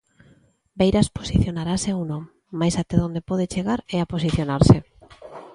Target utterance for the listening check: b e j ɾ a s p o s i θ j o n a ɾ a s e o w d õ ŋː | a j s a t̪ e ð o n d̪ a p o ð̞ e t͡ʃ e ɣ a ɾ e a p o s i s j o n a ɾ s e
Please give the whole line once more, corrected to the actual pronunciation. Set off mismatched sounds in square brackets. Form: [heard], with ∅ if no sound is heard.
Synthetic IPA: b e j ɾ a s p o s i θ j o n a ɾ a s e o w [n] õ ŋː | a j s a t̪ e ð o n d̪ [e] p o ð̞ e t͡ʃ e ɣ a ɾ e a p o s i [θ] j o n a ɾ s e